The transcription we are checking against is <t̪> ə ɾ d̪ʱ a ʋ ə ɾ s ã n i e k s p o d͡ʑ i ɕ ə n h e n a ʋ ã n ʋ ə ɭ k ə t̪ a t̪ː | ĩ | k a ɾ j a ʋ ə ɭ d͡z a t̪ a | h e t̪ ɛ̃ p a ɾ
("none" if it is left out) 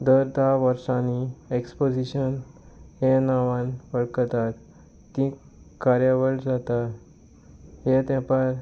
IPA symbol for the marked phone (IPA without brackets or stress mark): d̪